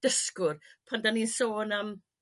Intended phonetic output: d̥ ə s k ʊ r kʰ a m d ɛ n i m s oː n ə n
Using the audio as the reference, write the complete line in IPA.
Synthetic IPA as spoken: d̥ ə s k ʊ r pʰ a n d a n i n s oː n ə m